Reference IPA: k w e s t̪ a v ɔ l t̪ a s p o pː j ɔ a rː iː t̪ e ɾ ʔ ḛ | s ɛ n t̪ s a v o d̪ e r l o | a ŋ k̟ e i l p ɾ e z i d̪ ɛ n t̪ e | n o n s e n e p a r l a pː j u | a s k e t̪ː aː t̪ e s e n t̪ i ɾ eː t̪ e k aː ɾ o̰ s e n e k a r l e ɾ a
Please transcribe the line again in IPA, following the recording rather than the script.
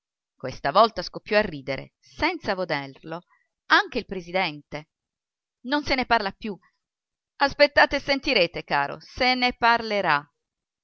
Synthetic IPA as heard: k w e s t̪ a v ɔ l t̪ a s k o pː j ɔ a rː iː d̪ e ɾ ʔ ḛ | s ɛ n t̪ s a v o d̪ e r l o | a ŋ k̟ e i l p ɾ e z i d̪ ɛ n t̪ e | n o n s e n e p a r l a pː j u | a s p e t̪ː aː t̪ e s e n t̪ i ɾ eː t̪ e k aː ɾ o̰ s e n e p a r l e ɾ a